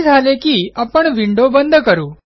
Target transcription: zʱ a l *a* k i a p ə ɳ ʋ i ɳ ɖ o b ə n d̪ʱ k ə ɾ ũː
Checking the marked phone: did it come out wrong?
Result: yes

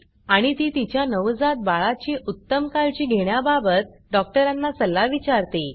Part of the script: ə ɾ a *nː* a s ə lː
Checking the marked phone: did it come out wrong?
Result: no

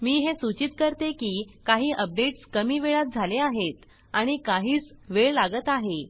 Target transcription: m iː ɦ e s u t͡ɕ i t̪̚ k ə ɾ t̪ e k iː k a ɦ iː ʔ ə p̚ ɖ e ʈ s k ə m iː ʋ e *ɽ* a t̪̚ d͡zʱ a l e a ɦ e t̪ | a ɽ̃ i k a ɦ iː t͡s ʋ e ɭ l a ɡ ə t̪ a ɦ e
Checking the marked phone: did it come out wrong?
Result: yes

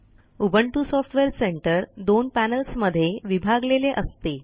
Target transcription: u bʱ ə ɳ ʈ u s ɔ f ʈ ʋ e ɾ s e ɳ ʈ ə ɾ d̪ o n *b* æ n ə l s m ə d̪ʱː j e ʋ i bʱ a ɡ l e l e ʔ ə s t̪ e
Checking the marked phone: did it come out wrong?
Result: yes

